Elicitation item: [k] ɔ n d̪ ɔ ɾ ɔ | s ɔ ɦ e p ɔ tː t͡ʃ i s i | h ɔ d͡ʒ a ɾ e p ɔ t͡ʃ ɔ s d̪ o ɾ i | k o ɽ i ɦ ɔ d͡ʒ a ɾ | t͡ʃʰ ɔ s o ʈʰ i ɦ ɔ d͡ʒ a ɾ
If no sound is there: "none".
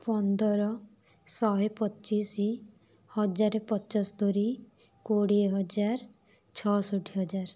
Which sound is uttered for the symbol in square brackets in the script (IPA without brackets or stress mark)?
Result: p